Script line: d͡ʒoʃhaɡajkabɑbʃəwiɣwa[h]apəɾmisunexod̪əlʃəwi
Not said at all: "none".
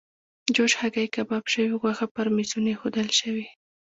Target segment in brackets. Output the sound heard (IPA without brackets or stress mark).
x